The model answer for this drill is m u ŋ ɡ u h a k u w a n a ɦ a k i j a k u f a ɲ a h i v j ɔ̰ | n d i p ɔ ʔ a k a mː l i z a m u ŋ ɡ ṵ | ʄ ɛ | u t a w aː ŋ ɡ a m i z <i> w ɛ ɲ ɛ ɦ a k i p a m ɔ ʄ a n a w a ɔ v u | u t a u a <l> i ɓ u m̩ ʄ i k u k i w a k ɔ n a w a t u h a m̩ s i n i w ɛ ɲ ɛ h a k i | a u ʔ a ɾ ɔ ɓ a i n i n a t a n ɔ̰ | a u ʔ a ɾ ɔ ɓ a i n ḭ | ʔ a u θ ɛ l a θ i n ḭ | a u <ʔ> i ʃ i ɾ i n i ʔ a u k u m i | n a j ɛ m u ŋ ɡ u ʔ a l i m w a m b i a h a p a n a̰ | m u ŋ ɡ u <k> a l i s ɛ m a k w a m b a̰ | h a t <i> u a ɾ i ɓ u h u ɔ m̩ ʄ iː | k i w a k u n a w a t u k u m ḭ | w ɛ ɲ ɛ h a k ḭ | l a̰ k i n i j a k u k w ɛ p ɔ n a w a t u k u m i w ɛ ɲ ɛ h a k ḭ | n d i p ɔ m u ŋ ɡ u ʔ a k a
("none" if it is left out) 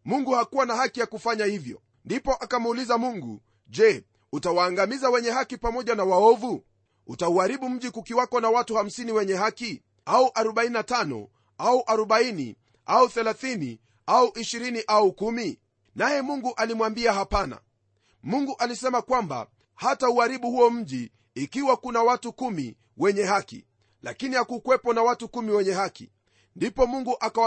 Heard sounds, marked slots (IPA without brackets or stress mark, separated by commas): a, ɾ, ʔ, ʔ, a